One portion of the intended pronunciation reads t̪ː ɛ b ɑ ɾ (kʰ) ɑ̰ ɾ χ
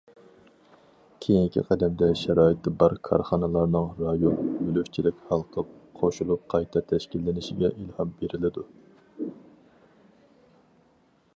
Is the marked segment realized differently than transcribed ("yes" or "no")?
no